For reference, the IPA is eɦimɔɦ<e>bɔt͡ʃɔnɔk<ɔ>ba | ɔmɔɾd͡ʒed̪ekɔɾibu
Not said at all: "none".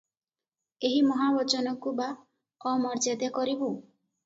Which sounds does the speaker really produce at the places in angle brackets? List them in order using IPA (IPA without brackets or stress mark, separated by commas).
a, u